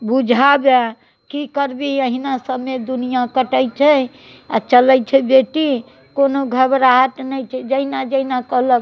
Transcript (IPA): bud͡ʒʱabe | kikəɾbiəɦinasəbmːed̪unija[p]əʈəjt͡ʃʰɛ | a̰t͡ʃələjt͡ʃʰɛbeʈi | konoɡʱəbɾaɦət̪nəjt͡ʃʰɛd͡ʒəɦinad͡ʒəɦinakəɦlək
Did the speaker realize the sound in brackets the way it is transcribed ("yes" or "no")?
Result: no